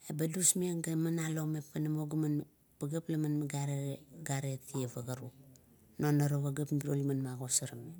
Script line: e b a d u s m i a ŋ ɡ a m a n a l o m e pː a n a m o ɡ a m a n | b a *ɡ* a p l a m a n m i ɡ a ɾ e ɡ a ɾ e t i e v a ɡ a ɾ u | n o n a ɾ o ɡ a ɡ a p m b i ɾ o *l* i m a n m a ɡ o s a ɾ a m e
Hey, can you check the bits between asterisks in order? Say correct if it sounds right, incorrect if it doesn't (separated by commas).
correct, correct